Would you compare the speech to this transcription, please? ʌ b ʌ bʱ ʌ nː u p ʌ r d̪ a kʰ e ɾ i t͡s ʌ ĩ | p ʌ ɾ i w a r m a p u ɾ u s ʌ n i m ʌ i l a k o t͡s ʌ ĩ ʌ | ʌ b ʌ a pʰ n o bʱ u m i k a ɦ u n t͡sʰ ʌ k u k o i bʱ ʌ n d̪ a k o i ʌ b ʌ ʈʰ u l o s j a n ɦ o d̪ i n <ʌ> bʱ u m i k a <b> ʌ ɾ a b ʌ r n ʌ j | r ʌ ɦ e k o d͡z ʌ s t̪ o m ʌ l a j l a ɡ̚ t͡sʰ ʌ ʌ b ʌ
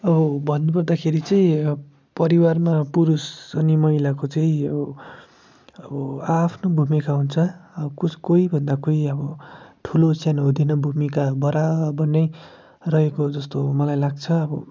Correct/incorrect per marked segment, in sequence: correct, correct

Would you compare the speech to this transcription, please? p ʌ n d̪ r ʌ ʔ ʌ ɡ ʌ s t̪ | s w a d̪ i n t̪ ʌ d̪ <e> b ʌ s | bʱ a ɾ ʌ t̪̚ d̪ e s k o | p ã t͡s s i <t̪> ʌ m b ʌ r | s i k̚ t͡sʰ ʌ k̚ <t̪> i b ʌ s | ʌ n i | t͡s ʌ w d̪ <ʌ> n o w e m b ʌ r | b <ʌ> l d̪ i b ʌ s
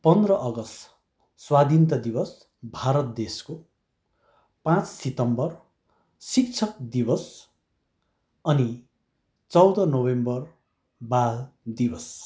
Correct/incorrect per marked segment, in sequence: incorrect: i, correct, incorrect: d̪, correct, incorrect: a

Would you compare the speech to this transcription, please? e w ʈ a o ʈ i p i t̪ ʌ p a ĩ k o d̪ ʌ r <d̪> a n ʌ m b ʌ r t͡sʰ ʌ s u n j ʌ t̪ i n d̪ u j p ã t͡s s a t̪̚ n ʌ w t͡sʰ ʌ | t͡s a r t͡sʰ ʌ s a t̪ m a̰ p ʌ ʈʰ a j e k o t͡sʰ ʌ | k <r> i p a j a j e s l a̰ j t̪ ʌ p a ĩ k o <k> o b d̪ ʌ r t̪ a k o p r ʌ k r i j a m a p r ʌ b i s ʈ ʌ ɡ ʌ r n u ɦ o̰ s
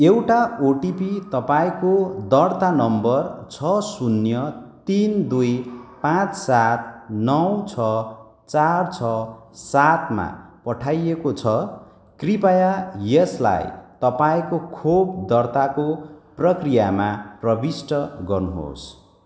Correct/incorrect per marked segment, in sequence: incorrect: t̪, correct, incorrect: kʰ

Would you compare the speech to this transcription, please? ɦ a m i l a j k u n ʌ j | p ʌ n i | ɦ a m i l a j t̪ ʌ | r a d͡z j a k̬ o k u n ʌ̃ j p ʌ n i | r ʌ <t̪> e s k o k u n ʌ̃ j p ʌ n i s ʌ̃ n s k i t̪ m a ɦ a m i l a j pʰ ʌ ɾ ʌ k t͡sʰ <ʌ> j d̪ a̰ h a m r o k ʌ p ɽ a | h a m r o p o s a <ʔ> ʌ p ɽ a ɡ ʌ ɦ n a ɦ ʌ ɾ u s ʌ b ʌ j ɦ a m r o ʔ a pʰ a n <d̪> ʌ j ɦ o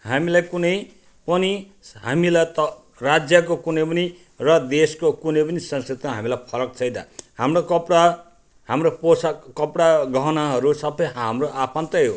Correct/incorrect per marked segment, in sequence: incorrect: d̪, correct, incorrect: k, incorrect: t̪

